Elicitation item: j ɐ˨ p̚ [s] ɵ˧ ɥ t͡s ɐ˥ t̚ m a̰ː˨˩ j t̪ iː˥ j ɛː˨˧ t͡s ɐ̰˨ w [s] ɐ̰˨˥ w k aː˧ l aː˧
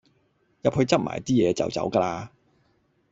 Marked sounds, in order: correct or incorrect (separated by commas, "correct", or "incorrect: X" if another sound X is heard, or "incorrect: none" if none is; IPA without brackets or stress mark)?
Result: incorrect: h, incorrect: t͡s